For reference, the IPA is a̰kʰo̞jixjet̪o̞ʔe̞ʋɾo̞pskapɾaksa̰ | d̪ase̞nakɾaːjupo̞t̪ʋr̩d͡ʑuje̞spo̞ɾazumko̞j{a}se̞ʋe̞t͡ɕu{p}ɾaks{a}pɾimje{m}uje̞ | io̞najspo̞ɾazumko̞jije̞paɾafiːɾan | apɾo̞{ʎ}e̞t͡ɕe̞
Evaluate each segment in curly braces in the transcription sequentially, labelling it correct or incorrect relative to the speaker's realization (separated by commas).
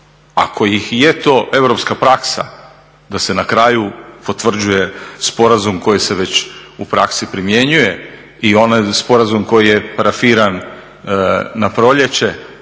incorrect, correct, incorrect, incorrect, correct